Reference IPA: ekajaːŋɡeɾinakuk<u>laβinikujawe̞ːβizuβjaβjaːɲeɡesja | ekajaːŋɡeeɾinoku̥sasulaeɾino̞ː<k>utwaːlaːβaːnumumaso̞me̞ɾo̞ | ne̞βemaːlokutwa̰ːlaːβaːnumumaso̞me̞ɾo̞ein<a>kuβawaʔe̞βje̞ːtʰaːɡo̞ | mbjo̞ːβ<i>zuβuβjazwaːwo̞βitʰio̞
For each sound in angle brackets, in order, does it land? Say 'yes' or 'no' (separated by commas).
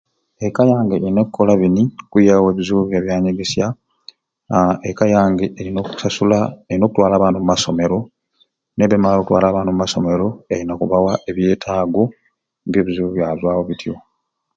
no, yes, yes, yes